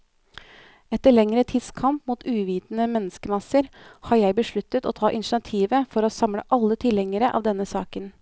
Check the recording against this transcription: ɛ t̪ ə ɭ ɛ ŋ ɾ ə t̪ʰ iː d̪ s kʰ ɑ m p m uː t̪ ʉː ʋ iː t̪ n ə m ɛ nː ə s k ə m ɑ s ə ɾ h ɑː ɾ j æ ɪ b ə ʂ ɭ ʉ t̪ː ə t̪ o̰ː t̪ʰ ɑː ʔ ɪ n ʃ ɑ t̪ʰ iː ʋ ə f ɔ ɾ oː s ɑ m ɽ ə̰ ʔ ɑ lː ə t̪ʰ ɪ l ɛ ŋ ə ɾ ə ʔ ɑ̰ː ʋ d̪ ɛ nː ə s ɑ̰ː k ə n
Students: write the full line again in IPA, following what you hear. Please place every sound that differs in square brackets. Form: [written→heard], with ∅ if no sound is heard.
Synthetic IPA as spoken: ɛ t̪ ə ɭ ɛ ŋ ɾ ə t̪ʰ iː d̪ s kʰ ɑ m p m uː t̪ ʉː ʋ iː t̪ n ə m ɛ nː ə s k ə m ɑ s ə ɾ h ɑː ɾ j æ ɪ b ə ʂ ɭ ʉ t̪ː ə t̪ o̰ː t̪ʰ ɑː ʔ ɪ n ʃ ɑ t̪ʰ iː ʋ ə f ɔ ɾ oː s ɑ m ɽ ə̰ ʔ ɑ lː ə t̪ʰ ɪ l ɛ ŋ ə ɾ ə ʔ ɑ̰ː ʋ d̪ ɛ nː ə s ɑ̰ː k ə n